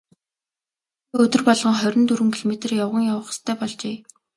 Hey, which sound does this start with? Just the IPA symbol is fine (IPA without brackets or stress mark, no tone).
ɵ